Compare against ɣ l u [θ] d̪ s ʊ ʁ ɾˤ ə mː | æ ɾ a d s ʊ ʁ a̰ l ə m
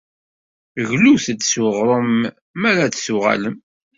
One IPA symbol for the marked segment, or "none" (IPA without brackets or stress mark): θ